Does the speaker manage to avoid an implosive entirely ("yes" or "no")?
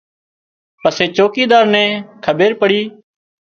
yes